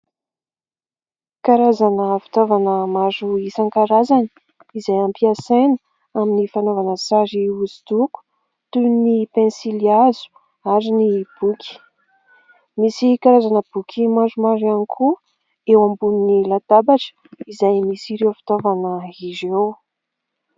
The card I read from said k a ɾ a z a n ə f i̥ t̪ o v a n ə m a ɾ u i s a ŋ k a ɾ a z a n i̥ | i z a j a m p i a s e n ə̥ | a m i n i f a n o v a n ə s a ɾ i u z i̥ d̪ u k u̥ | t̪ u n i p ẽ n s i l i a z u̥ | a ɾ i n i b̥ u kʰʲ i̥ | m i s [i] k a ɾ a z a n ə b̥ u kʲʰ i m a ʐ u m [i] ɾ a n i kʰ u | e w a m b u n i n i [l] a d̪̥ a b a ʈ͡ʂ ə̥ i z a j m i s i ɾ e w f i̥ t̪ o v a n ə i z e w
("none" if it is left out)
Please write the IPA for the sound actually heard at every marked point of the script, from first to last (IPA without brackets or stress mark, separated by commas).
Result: i, a, l